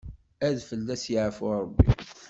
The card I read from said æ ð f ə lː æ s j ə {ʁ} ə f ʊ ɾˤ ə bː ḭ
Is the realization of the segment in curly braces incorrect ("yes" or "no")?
yes